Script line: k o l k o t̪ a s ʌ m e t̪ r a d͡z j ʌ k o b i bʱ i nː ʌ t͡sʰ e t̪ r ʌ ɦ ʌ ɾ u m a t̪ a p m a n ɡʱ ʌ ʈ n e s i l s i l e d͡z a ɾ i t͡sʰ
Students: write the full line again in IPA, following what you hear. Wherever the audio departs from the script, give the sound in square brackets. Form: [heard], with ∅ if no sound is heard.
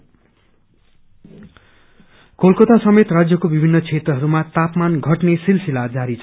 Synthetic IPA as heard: k o l k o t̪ a s ʌ m e t̪ r a d͡z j ʌ k o b i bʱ i nː ʌ t͡sʰ e t̪ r ʌ ɦ ʌ ɾ u m a t̪ a p m a n ɡʱ ʌ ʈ n e s i l s i l [a] d͡z a ɾ i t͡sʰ